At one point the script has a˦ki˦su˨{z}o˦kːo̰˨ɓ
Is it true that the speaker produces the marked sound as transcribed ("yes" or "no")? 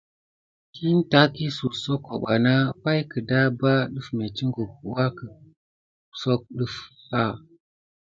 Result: no